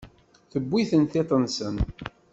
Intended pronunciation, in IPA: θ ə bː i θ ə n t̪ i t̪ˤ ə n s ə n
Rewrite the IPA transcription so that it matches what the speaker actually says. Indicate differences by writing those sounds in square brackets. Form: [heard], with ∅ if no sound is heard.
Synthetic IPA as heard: θ ə bː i θ ə n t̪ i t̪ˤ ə n s ə n